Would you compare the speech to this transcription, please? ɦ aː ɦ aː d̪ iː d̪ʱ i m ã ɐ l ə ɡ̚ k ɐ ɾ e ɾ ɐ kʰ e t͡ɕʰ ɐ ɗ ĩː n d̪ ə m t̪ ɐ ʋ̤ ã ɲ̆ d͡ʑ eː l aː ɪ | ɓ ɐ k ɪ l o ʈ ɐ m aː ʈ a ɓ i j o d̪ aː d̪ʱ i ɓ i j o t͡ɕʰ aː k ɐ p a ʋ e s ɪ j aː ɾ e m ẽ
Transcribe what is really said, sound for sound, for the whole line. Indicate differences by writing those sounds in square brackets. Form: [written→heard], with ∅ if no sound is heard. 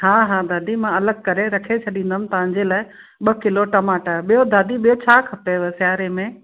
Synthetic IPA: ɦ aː ɦ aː d̪ [iː→aː] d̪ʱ i m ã ɐ l ə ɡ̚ k ɐ ɾ e ɾ ɐ kʰ e t͡ɕʰ ɐ ɗ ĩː n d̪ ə m t̪ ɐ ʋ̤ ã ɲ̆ d͡ʑ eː l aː ɪ | ɓ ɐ k ɪ l o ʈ ɐ m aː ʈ a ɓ i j o d̪ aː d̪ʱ i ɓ i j o t͡ɕʰ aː [k→kʰ] ɐ p [a→e] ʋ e s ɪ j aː ɾ e m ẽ